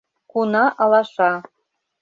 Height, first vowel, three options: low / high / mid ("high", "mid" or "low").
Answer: high